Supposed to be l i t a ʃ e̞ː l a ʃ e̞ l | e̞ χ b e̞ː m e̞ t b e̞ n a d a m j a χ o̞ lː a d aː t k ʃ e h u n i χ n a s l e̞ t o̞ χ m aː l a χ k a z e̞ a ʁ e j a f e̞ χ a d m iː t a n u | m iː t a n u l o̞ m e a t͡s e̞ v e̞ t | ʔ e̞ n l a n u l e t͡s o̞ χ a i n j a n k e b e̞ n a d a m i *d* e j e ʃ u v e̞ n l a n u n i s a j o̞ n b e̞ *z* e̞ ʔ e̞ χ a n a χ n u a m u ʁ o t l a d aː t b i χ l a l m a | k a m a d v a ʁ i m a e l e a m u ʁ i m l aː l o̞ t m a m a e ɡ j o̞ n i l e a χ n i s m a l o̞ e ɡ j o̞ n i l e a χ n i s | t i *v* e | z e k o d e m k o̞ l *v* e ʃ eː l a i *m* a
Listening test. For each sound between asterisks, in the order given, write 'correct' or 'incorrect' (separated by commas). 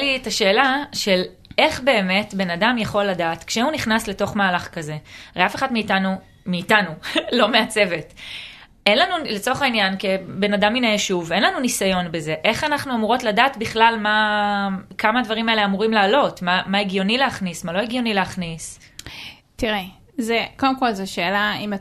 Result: incorrect, correct, incorrect, incorrect, correct